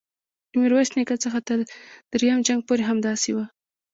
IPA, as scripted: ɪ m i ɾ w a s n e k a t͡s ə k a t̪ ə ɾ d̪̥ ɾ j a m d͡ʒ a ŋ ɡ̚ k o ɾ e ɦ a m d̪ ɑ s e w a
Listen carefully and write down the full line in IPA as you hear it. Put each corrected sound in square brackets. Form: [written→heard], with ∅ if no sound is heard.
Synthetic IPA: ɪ m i ɾ w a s n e k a t͡s ə [k→x] a t̪ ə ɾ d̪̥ ɾ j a m d͡ʒ a ŋ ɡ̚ [k→p] o ɾ e ɦ a m d̪ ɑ s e w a